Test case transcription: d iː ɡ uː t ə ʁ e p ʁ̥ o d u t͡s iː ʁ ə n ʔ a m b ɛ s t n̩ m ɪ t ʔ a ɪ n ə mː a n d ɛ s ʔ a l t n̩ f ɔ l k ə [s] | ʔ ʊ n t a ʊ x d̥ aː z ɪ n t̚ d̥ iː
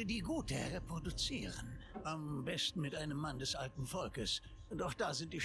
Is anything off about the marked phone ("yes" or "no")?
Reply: no